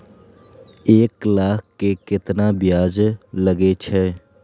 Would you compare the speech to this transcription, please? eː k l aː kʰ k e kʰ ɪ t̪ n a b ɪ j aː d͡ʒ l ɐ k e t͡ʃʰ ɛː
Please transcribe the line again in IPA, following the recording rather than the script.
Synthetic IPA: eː k l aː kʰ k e k ɪ t̪ n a b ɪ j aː d͡ʒ l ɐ ɡ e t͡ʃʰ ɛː